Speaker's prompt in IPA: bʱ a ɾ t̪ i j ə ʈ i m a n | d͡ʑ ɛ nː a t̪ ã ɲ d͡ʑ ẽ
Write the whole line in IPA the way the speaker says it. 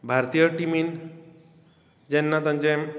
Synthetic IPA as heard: bʱ a ɾ t̪ i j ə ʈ i m i n | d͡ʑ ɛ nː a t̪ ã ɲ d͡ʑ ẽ